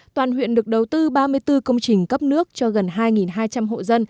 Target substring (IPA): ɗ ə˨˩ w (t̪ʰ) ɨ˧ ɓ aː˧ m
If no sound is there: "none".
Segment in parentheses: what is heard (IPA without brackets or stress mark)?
t̪